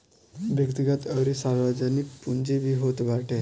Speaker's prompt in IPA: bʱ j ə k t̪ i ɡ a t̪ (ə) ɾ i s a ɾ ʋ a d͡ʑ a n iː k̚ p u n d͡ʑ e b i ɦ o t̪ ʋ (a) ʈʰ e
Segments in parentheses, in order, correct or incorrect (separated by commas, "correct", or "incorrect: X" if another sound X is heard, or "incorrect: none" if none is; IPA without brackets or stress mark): correct, correct